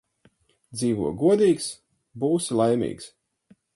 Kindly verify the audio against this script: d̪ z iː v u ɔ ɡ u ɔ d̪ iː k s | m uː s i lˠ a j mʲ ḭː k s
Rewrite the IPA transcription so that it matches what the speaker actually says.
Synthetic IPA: d̪ z iː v u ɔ ɡ u ɔ d̪ iː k s | b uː s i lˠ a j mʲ ḭː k s

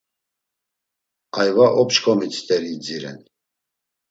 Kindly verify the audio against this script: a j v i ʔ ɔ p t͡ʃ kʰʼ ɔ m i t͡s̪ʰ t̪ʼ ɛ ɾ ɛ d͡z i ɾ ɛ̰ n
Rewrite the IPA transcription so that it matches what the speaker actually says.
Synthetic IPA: a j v a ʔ ɔ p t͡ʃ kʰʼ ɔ m i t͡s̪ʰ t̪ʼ ɛ ɾ i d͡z i ɾ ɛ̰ n

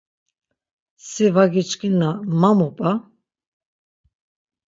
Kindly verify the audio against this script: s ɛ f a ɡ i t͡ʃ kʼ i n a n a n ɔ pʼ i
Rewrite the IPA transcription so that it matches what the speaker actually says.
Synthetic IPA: s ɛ v a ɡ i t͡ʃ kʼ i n a m a m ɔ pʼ a

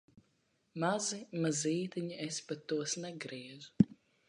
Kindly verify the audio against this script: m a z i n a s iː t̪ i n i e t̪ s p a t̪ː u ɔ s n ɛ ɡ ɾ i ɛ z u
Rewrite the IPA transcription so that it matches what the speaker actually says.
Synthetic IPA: m a z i m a z iː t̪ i ɲ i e s p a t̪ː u ɔ s n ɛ ɡ ɾ i ɛ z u

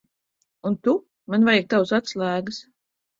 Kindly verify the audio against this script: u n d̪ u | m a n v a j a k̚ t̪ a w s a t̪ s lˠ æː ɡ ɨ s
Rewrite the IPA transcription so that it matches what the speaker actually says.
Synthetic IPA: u n t̪ u | m a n v a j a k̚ t̪ a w s a t̪ s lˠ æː ɡ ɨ s

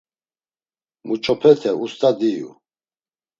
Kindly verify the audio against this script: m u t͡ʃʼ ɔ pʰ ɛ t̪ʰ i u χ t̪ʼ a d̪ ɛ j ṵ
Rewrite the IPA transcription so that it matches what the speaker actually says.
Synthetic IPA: m u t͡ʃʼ ɔ pʰ ɛ t̪ʰ ɛ u s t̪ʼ a d̪ i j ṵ

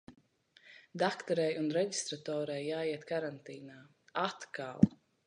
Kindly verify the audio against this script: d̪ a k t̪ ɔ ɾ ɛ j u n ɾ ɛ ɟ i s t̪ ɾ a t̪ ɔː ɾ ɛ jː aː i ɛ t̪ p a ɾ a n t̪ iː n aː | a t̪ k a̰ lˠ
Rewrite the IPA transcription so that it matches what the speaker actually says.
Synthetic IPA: d̪ a k t̪ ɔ ɾ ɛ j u n ɾ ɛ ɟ i s t̪ ɾ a t̪ ɔː ɾ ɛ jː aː i ɛ t̪ k a ɾ a n t̪ iː n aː | a t̪ k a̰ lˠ

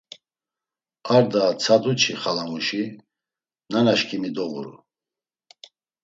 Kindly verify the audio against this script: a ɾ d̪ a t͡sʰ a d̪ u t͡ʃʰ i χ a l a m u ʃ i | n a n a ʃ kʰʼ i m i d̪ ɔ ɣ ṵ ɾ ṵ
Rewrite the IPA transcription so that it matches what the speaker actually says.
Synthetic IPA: a ɾ d̪ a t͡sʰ a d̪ u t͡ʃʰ i χ a l a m u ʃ i | n a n a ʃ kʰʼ i m i d̪ ɔ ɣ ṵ ɾ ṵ

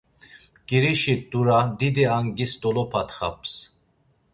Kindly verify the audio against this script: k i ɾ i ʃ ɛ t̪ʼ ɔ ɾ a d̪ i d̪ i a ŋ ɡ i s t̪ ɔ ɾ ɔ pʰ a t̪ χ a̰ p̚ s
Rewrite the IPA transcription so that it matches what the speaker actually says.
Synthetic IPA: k i ɾ i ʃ i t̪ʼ u ɾ a d̪ i d̪ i a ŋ ɡ i s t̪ ɔ l ɔ pʰ a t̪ χ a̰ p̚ s

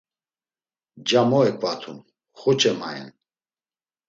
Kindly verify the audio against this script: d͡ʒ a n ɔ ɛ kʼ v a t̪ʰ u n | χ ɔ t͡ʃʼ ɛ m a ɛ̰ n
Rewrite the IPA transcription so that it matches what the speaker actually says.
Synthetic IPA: d͡ʒ a m ɔ ɛ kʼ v a t̪ʰ u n | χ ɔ t͡ʃʼ ɛ m a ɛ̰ n

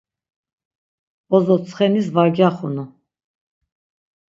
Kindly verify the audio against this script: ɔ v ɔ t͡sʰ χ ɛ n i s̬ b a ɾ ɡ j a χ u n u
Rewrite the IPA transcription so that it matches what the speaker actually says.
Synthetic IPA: ɔ z ɔ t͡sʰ χ ɛ n i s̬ v a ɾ ɡ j a χ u n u

